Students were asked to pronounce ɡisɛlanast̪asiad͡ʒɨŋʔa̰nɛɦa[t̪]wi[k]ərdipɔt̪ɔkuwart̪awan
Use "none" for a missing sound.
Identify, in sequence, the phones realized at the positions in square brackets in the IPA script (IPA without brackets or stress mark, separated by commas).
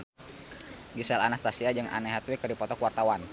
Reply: t̪, k